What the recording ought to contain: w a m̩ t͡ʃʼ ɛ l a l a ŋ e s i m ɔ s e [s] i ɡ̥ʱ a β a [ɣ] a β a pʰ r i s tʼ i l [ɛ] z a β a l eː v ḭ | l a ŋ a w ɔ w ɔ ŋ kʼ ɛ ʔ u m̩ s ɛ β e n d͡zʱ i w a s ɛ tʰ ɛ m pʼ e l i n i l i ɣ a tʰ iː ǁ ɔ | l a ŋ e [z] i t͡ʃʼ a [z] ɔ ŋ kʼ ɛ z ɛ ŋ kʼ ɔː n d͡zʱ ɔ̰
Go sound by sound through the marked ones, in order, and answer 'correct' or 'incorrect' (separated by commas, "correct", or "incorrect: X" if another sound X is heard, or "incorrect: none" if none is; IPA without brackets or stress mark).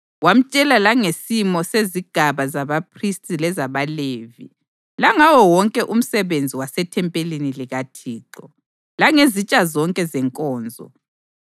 incorrect: z, incorrect: z, correct, correct, correct